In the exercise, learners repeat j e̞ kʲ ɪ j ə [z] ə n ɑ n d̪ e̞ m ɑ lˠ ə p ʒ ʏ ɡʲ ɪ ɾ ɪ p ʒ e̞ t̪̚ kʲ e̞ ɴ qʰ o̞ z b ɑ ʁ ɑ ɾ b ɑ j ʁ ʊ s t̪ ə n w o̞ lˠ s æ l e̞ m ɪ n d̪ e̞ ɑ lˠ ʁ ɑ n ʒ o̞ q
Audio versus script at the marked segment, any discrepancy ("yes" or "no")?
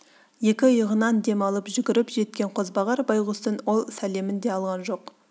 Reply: yes